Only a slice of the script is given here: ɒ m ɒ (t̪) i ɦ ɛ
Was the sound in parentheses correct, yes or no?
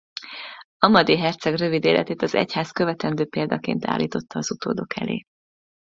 no